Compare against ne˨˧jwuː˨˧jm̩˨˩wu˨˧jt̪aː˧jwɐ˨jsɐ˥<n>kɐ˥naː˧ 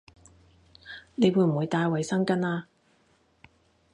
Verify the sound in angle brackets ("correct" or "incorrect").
incorrect